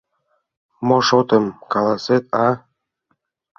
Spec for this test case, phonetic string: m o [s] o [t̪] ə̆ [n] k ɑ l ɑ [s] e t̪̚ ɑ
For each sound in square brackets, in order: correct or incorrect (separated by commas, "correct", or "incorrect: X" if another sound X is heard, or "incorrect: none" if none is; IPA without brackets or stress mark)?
incorrect: ʃ, correct, incorrect: m, correct